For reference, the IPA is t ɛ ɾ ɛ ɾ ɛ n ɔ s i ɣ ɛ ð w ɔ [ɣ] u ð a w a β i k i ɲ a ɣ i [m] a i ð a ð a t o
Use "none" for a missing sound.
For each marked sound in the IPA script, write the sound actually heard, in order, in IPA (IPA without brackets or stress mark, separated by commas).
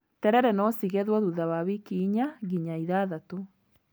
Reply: ð, ɲ